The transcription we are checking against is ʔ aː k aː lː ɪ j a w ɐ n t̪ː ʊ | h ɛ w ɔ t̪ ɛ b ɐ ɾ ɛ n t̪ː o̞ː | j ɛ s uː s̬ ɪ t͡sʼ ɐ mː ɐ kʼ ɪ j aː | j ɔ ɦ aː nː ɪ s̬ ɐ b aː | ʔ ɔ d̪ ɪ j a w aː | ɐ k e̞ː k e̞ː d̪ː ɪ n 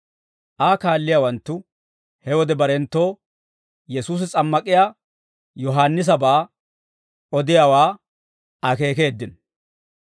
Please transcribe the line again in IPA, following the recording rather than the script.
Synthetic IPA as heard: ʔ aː k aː lː ɪ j a w ɐ n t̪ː ʊ | h ɛ w ɔ d̪ ɛ b ɐ ɾ ɛ n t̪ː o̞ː | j ɛ s uː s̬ ɪ t͡sʼ ɐ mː ɐ kʼ ɪ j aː | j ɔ ɦ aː nː ɪ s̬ ɐ b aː | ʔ ɔ d̪ ɪ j a w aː | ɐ k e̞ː k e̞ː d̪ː ɪ n